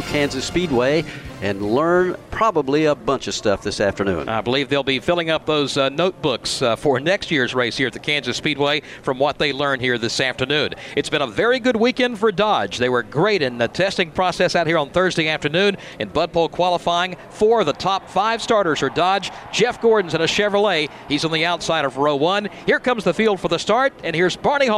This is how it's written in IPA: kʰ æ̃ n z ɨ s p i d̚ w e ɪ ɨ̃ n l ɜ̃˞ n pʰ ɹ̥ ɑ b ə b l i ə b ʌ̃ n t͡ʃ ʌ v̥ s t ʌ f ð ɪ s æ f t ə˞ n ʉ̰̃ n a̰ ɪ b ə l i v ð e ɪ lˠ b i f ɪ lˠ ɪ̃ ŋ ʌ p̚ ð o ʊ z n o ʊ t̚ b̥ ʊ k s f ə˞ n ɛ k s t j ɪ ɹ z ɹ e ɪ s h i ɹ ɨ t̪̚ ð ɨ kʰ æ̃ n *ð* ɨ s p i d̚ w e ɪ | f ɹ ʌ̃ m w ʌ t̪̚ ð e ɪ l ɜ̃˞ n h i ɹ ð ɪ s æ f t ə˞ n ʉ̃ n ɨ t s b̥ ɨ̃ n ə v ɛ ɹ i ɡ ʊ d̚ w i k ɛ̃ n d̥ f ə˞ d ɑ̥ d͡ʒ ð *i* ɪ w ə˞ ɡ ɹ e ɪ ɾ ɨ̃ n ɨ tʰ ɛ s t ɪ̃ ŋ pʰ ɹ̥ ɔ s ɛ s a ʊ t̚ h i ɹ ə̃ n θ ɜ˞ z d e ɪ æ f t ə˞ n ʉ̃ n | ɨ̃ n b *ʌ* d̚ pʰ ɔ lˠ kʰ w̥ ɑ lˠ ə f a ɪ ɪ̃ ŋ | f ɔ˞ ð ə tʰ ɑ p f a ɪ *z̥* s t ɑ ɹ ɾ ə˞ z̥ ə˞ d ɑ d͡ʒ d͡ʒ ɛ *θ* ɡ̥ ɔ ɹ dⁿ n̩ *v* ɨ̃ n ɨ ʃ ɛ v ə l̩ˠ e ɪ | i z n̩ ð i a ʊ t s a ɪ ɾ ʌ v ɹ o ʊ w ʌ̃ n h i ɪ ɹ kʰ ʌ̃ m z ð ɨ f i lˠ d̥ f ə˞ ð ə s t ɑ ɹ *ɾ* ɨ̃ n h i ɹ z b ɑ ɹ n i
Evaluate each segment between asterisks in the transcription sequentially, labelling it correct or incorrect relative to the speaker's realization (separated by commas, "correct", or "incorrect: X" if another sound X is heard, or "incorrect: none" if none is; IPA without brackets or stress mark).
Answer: incorrect: z, incorrect: e, correct, incorrect: v̥, incorrect: f, incorrect: z, correct